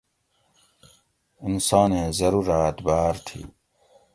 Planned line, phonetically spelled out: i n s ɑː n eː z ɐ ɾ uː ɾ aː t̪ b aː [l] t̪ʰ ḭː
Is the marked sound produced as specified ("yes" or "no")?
no